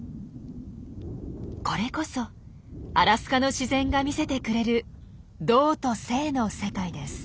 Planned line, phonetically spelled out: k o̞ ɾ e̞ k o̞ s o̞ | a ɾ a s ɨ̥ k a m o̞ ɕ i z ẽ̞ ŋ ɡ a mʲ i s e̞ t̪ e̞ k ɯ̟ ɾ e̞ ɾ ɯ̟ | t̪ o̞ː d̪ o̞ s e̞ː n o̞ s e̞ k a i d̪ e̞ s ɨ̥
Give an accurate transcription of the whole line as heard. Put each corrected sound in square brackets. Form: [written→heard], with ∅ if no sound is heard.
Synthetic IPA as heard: k o̞ ɾ e̞ k o̞ s o̞ | a ɾ a s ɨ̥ k a [m→n] o̞ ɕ i z ẽ̞ ŋ ɡ a mʲ i s e̞ t̪ e̞ k ɯ̟ ɾ e̞ ɾ ɯ̟ | [t̪→d̪] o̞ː [d̪→t̪] o̞ s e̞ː n o̞ s e̞ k a i d̪ e̞ s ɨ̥

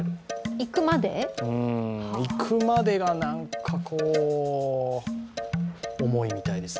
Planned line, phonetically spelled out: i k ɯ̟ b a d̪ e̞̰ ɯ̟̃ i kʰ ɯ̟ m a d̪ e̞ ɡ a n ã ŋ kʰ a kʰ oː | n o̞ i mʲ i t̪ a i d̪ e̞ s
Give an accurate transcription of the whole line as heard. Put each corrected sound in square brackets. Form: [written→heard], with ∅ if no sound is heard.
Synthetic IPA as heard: i k ɯ̟ [b→m] a d̪ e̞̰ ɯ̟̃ i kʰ ɯ̟ m a d̪ e̞ ɡ a n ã ŋ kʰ a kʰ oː | [n→m] o̞ i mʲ i t̪ a i d̪ e̞ s

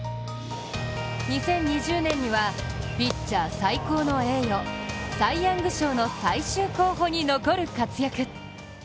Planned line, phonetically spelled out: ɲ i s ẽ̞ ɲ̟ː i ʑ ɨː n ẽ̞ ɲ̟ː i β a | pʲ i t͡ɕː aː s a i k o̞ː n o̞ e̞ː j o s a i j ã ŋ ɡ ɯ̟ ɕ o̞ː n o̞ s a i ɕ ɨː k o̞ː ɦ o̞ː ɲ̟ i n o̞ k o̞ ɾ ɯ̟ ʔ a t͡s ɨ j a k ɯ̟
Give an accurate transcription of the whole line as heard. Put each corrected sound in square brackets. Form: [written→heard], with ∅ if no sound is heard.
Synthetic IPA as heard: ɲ i s ẽ̞ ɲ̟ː i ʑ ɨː n ẽ̞ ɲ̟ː i β a | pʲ i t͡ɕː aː s a i k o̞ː n o̞ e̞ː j o s a i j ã ŋ ɡ ɯ̟ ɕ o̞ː n o̞ s a i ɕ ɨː k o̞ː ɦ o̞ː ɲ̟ i n o̞ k o̞ ɾ ɯ̟ [ʔ→k] a t͡s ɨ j a k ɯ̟

